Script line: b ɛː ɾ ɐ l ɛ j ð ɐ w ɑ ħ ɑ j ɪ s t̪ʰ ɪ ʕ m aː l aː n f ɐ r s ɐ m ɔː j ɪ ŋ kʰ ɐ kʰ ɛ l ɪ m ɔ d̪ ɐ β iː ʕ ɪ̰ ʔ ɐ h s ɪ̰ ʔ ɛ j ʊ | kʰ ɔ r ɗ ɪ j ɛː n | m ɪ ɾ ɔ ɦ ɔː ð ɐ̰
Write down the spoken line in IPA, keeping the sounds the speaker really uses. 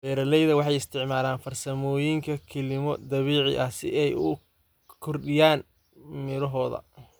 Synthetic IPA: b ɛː ɾ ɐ l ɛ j ð ɐ w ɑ ħ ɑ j ɪ s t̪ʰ ɪ ʕ m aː l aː n f ɐ r s ɐ m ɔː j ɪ ŋ kʰ ɐ kʰ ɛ l ɪ m ɔ d̪ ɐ β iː ʕ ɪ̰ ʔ ɐ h s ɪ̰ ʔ ɛ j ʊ | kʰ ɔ r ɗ ɪ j aː n | m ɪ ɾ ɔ ɦ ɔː ð ɐ̰